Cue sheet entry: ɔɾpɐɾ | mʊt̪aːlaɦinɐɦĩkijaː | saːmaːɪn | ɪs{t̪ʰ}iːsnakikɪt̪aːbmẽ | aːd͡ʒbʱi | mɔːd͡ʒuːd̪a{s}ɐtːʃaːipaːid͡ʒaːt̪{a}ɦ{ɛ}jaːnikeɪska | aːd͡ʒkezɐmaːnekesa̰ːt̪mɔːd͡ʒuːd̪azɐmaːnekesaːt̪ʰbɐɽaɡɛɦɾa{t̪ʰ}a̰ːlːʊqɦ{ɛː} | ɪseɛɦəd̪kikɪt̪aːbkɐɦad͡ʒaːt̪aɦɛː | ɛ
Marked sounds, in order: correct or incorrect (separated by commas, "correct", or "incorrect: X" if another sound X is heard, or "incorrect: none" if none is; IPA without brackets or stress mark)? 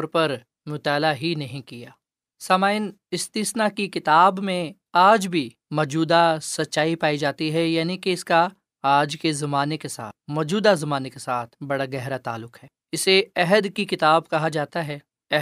incorrect: t̪, correct, incorrect: i, correct, incorrect: t̪, correct